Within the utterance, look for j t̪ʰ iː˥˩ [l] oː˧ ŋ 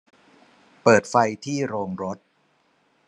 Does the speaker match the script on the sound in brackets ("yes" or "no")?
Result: no